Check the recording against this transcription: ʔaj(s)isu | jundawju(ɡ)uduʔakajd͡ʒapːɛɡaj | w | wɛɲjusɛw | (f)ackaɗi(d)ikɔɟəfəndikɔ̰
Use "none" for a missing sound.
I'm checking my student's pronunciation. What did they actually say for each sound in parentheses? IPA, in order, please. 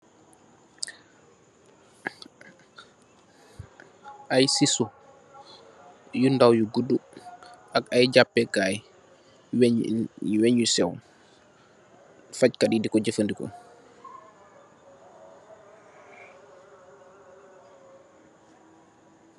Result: s, ɡ, f, d

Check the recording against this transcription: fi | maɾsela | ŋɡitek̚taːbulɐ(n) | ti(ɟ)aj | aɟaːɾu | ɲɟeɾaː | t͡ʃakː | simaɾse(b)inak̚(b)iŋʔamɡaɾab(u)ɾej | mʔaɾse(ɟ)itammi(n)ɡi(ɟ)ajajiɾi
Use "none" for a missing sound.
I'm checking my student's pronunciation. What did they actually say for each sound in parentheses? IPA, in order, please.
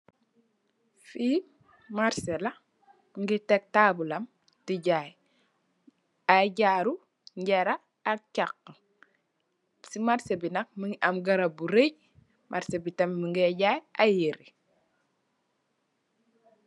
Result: m, ɟ, b, m, u, b, ŋ, ɟ

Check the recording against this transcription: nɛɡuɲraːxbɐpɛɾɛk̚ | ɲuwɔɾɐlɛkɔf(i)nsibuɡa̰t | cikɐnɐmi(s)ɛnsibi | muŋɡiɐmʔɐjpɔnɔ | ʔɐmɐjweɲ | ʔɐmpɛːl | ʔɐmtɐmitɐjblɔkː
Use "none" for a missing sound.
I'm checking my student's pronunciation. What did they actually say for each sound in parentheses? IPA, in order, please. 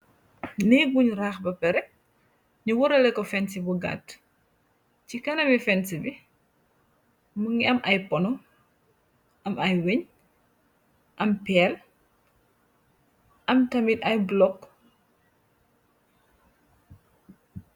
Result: ɛ, f

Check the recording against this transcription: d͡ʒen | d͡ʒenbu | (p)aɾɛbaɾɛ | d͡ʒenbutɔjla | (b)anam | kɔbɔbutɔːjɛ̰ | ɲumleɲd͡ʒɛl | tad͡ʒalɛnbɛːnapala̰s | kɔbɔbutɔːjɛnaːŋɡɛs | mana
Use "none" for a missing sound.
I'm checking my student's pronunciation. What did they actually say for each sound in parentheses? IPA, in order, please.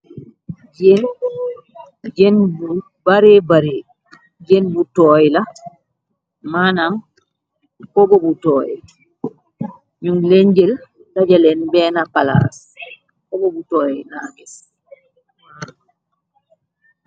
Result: b, m

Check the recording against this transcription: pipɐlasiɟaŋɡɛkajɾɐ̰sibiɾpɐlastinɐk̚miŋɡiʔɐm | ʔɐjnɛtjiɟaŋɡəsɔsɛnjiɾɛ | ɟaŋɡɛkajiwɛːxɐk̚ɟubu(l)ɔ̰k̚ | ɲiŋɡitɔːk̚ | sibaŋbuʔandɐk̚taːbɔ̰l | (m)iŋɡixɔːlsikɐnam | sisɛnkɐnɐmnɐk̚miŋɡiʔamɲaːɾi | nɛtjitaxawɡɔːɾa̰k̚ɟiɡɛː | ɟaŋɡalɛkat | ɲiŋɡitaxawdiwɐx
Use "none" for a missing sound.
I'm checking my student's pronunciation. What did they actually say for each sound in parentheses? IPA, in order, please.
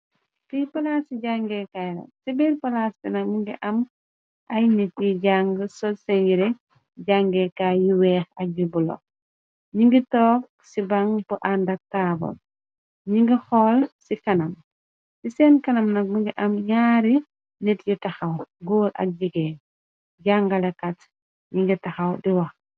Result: l, ɲ

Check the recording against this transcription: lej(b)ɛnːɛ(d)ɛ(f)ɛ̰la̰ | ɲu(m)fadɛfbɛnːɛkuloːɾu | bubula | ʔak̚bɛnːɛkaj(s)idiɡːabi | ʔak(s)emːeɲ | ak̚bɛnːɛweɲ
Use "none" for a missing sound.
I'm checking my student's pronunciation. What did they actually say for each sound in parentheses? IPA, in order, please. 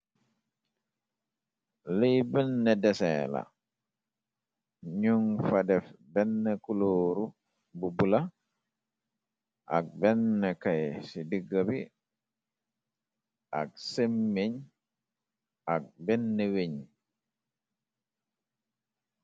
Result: b, d, s, ŋ, s, s

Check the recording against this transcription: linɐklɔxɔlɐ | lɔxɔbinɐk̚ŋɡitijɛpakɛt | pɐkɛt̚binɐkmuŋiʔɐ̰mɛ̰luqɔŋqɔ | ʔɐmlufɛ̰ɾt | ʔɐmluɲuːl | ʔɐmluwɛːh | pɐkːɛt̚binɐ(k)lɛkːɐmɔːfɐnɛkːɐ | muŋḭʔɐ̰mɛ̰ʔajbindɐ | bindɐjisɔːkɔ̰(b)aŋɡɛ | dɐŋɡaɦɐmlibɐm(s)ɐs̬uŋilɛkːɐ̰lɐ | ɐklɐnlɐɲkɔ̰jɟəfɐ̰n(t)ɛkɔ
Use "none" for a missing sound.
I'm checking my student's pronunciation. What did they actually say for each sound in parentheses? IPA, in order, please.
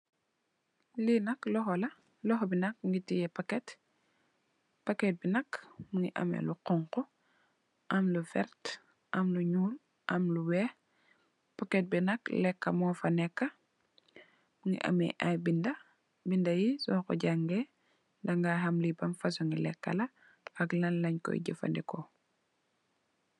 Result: k, ɟ, f, d

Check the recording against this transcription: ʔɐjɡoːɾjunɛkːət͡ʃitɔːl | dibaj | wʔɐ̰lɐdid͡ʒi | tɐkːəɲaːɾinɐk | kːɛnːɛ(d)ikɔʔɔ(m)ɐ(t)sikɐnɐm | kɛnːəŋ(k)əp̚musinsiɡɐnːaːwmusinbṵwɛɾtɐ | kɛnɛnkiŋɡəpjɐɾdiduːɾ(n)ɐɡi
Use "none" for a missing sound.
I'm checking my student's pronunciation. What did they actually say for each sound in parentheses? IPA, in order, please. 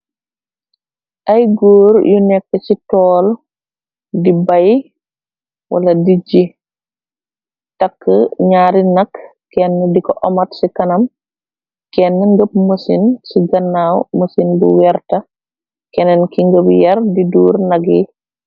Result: d, m, t, ɡ, n

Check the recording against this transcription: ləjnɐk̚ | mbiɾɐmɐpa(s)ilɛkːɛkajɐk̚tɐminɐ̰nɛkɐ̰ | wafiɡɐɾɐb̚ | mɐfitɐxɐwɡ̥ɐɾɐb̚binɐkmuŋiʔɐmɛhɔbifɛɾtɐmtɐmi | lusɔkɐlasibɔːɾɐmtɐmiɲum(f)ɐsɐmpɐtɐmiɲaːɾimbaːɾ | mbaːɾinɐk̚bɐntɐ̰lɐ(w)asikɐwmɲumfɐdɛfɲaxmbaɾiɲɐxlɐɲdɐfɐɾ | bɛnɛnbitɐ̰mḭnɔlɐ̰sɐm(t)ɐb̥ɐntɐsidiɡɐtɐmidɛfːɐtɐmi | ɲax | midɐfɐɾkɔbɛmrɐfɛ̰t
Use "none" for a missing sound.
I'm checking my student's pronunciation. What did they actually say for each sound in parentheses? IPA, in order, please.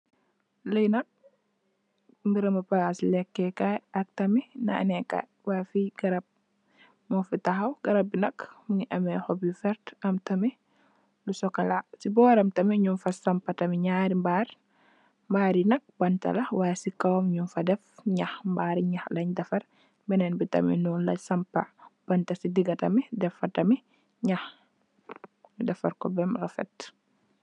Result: s, f, w, p

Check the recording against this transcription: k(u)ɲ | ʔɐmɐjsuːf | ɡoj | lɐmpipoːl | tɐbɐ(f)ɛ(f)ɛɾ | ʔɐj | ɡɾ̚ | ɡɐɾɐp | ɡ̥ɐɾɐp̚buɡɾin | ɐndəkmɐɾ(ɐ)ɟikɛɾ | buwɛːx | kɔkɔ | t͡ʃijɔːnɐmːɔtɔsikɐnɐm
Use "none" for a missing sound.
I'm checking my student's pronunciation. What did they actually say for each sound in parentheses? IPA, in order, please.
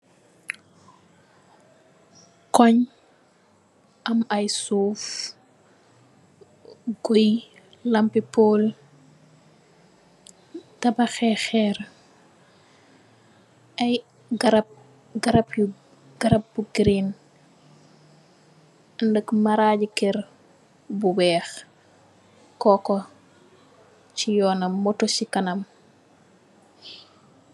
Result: ɔ, x, x, a

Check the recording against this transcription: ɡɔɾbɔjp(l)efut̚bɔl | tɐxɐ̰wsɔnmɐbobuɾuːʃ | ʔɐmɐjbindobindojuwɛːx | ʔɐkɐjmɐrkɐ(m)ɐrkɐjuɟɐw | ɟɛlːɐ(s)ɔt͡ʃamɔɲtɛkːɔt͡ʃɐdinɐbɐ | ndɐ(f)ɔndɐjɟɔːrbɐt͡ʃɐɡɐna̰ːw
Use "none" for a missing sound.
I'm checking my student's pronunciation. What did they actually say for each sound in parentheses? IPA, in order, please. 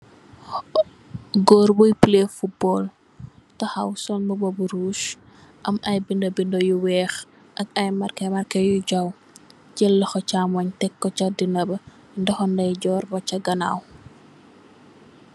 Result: l, m, x, x

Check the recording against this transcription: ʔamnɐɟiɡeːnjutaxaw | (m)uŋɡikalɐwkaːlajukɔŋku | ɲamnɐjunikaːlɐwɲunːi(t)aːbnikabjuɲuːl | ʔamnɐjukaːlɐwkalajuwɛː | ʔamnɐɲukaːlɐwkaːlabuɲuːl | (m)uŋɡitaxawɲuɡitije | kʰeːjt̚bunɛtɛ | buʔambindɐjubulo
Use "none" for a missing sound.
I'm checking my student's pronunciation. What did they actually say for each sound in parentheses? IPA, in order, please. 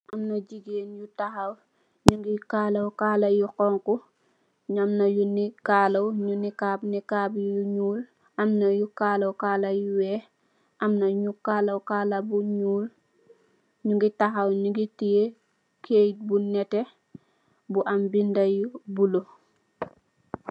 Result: ɲ, k, ɲ

